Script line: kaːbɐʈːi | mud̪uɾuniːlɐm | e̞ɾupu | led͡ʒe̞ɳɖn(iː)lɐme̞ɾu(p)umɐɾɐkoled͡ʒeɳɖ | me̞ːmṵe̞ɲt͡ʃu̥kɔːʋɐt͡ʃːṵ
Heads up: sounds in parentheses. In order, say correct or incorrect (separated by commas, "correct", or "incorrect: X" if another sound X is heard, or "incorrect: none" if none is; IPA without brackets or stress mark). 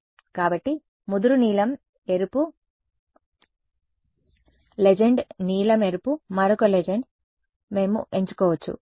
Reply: correct, correct